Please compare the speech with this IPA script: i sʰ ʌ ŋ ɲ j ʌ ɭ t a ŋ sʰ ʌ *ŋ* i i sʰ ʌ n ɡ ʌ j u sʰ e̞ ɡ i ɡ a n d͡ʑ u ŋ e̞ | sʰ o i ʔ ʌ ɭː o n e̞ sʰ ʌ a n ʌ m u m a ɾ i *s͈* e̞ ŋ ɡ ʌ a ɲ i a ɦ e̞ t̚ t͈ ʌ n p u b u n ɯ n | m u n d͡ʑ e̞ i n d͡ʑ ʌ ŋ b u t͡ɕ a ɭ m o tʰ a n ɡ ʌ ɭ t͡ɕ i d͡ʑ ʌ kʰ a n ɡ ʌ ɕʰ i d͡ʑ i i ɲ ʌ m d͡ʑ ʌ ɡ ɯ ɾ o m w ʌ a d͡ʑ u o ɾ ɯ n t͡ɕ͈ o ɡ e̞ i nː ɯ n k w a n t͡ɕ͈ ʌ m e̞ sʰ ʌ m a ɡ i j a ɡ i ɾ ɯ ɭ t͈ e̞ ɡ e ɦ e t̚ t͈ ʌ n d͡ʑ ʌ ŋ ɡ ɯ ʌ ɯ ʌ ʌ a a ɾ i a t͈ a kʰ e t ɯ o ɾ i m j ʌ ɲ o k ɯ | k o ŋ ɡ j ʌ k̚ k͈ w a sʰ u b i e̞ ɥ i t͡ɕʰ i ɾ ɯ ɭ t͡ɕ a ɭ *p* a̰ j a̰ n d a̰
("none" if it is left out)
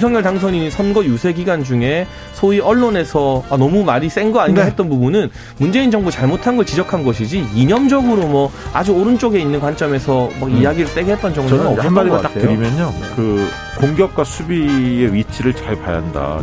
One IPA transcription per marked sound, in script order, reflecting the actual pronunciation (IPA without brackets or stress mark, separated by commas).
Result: ɲ, s͈, p